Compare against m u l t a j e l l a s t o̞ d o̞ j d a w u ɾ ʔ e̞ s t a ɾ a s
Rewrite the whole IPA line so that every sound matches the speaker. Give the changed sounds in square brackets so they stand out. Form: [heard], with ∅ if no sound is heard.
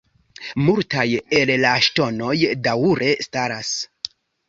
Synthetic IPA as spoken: m u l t a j e l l a [ʃ] t o̞ [n] o̞ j d a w u ɾ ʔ e̞ s t a ɾ a s